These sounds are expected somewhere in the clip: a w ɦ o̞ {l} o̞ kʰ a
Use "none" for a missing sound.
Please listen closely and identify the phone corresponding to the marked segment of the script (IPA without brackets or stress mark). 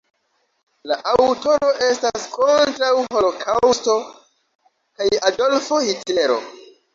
l